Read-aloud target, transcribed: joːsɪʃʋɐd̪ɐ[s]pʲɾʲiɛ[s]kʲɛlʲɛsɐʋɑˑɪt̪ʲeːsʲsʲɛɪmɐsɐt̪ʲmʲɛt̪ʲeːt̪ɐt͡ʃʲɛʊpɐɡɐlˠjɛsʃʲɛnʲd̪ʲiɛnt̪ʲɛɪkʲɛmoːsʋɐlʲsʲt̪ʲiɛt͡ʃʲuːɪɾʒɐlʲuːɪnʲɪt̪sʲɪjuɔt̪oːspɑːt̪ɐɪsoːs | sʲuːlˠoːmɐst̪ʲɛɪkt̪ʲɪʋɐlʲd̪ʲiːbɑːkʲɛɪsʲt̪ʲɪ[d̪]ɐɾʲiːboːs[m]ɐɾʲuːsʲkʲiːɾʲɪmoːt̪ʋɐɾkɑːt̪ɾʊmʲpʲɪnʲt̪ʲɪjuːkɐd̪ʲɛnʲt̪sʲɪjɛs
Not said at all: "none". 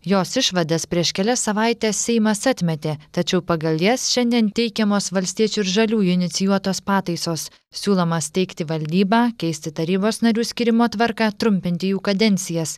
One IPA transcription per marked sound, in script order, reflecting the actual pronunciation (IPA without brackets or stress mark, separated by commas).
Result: s, ʃ, t̪, n